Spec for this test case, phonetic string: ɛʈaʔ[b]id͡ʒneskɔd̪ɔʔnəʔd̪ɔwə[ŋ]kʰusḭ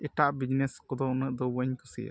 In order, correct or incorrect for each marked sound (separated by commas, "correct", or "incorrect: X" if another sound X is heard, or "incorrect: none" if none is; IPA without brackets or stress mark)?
correct, incorrect: ɲ